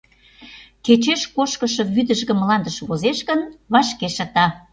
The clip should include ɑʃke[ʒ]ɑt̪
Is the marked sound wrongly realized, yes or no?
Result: yes